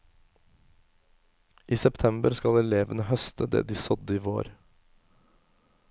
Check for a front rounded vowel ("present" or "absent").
present